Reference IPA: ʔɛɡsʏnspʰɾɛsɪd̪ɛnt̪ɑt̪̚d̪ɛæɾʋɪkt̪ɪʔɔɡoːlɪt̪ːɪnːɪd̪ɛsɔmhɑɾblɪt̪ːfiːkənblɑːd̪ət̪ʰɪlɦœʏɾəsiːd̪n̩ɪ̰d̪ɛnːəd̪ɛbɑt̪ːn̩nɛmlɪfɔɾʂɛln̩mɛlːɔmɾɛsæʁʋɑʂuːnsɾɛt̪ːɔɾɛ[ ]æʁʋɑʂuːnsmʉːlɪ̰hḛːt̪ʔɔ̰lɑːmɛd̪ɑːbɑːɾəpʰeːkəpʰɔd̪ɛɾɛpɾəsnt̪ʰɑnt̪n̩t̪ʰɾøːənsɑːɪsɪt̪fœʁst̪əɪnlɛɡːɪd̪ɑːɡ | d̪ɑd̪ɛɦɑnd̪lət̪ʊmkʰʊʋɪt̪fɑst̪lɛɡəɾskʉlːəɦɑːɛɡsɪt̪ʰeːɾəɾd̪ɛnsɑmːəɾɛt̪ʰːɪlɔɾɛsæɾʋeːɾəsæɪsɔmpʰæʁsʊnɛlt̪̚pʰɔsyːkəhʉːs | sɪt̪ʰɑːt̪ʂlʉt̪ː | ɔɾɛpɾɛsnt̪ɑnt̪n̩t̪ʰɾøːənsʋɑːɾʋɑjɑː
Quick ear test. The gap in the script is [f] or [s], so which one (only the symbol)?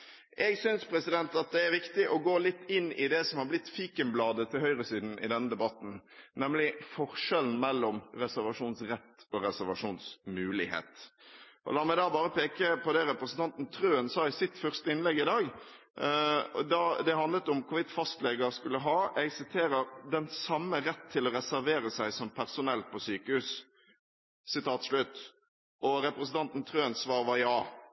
s